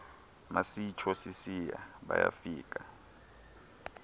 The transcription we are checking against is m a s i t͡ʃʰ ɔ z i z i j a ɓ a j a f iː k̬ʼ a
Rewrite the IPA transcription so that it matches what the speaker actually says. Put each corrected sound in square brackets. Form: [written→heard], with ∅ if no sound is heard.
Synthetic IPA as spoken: m a s i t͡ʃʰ ɔ [z→s] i [z→s] i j a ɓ a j a f iː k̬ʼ a